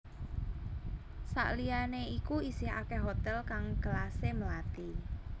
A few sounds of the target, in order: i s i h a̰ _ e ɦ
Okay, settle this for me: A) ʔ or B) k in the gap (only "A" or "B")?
B